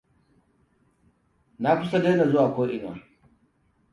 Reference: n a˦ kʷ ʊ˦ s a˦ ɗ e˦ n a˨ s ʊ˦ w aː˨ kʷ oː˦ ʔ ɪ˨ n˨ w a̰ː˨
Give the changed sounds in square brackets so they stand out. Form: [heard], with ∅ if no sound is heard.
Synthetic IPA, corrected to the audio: n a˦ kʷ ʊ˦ s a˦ [d] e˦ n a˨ [z] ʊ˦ w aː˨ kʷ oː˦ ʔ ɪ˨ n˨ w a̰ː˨